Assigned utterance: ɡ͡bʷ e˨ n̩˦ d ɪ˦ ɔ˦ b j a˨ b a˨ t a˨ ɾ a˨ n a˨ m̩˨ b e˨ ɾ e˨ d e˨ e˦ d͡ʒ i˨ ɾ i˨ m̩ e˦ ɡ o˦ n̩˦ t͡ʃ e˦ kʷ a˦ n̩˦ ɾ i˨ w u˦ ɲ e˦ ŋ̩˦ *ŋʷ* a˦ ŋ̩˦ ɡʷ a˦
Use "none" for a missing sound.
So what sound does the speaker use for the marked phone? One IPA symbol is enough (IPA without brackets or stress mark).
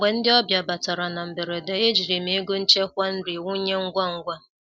ɡʷ